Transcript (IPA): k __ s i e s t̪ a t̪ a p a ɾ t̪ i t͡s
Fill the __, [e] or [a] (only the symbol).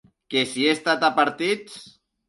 e